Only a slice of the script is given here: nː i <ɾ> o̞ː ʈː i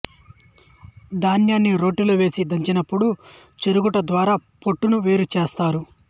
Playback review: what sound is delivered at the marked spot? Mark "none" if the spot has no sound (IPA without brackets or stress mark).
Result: ɾ